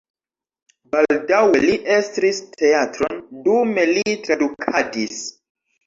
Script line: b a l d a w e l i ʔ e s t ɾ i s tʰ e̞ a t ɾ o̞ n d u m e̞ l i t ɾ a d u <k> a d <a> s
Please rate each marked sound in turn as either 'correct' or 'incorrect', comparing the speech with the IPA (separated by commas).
incorrect, incorrect